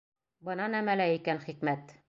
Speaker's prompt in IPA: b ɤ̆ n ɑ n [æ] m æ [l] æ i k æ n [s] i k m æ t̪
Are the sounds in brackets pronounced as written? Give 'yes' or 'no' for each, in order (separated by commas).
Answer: yes, yes, no